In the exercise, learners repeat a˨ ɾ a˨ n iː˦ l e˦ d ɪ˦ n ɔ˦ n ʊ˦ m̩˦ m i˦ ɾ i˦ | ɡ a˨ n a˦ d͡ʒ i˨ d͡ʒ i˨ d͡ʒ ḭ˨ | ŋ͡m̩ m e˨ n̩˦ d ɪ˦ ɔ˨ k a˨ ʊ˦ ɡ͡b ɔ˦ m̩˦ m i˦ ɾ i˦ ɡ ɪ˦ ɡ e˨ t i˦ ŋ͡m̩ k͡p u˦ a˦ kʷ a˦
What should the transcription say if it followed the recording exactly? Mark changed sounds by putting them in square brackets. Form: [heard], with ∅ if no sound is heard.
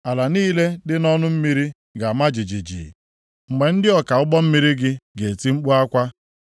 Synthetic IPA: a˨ [l] a˨ n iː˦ l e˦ d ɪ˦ n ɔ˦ n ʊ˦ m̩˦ m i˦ ɾ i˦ | ɡ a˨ [m] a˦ d͡ʒ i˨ d͡ʒ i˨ d͡ʒ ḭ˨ | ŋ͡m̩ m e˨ n̩˦ d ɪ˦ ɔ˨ k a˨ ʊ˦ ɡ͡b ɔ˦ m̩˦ m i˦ ɾ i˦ ɡ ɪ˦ ɡ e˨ t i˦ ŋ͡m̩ k͡p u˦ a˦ kʷ a˦